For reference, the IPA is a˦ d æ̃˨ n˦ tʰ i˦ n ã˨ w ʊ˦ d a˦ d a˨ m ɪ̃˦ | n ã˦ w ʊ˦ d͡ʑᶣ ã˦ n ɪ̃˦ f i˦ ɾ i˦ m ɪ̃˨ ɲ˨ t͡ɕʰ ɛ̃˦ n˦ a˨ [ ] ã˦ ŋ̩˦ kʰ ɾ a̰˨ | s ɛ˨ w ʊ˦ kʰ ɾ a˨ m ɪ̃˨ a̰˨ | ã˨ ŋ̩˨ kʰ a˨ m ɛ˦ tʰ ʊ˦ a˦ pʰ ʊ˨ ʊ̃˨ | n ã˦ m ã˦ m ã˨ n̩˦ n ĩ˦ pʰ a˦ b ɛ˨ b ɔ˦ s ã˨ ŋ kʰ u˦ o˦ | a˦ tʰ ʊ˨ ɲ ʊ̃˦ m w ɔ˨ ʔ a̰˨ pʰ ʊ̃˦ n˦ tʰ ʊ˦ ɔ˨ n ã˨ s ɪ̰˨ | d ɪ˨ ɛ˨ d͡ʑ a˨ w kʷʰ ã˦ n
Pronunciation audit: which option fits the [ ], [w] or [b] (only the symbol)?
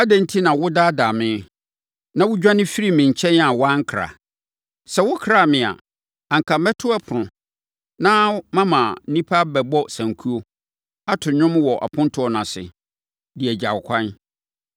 w